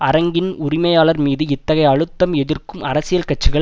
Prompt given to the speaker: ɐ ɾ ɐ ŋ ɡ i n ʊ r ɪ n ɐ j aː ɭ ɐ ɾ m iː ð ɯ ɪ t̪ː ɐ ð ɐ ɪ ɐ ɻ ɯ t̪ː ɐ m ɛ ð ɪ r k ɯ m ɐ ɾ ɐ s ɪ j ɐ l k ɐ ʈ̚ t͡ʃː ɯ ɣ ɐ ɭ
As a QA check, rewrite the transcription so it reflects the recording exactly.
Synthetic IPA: ɐ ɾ ɐ ŋ ɡ ɪ n ʊ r ɪ m ɐ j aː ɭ ɐ ɾ m iː ð ɯ ɪ t̪ː ɐ ɣ ɐ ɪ ɐ ɻ ɯ t̪ː ɐ m ɛ ð ɪ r k ɯ m ɐ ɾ ɐ s ɪ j ɐ l k ɐ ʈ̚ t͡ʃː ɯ ɣ ɐ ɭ